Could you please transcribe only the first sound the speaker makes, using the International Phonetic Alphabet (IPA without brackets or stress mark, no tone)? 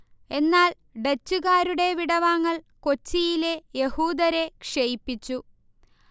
e̞